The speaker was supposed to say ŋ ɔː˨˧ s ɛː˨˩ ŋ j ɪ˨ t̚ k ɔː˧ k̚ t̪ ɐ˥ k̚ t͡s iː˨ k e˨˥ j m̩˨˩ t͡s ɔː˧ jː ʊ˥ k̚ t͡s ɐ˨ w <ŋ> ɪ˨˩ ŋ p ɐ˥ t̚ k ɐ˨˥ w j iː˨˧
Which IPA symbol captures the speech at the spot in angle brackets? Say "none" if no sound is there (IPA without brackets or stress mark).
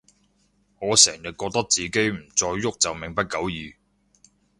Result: m